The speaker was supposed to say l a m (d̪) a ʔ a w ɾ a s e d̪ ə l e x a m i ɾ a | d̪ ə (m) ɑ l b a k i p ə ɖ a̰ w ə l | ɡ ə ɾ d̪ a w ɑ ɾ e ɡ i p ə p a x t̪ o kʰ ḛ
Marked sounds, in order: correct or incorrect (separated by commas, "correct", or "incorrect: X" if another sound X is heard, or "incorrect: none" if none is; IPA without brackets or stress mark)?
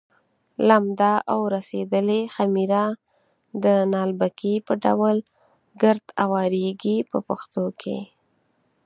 correct, incorrect: n